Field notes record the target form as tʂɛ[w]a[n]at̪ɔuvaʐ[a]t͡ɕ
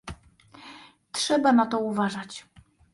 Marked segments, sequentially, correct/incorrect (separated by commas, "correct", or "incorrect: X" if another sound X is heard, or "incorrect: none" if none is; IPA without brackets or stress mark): incorrect: b, correct, correct